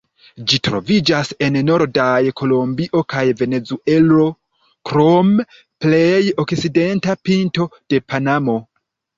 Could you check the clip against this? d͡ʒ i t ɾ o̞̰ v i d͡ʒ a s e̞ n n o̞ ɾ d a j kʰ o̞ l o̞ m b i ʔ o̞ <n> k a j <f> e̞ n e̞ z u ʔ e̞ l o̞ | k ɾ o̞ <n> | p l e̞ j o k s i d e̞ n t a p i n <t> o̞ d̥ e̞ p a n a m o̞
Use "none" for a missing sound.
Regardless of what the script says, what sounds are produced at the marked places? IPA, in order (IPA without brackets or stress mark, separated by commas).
none, v, m, t